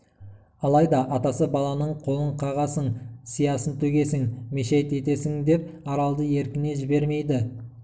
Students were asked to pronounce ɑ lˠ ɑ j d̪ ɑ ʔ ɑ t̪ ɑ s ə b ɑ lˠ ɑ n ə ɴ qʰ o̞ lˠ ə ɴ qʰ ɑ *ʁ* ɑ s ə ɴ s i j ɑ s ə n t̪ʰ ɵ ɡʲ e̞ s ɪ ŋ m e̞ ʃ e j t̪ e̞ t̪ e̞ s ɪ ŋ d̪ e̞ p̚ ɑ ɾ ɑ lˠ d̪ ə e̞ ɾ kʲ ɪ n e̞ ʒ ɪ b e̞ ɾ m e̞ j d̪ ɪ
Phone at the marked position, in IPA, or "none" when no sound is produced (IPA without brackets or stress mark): ʁ